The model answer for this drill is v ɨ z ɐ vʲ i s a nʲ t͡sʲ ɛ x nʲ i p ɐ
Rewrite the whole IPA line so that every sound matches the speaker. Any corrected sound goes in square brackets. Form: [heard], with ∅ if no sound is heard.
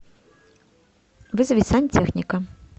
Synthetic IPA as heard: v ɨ z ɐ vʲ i s a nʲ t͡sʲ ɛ x nʲ i [k] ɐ